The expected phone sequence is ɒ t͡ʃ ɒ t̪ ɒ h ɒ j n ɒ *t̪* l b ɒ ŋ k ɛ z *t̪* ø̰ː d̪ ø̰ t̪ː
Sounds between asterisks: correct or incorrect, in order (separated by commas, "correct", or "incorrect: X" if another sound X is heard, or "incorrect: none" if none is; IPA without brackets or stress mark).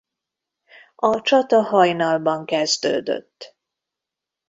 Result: incorrect: none, incorrect: d̪